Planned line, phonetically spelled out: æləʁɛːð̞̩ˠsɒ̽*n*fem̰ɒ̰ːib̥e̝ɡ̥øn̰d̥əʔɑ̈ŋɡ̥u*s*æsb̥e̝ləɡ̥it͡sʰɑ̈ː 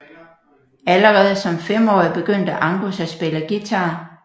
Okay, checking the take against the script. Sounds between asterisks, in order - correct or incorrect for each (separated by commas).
incorrect, correct